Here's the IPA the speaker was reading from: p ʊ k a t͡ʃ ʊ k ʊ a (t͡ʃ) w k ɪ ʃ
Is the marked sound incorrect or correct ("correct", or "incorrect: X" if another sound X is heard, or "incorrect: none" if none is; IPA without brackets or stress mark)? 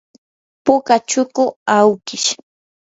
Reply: incorrect: none